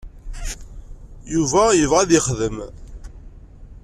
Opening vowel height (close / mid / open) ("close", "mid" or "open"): close